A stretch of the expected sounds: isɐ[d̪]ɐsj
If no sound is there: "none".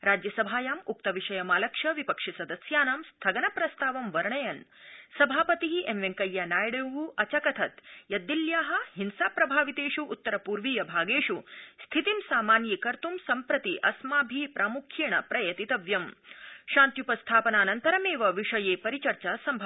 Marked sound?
d̪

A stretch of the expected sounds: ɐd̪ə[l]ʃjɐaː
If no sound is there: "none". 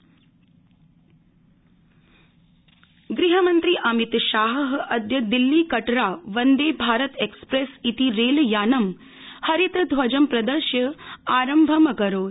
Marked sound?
ɾ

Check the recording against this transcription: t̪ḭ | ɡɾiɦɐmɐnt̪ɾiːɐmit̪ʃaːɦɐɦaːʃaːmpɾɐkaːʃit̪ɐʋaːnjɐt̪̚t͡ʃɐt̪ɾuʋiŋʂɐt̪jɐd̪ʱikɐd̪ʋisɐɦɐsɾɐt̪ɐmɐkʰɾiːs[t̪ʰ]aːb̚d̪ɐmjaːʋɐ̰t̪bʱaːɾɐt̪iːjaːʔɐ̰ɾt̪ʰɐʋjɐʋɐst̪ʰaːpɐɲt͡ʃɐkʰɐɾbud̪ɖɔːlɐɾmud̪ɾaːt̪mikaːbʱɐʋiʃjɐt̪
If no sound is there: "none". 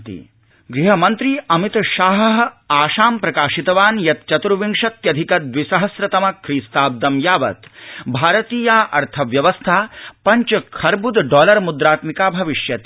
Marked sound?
t̪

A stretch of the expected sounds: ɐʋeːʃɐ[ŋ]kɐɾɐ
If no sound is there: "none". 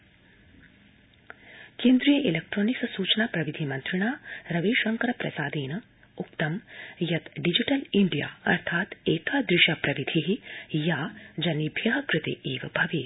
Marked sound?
ŋ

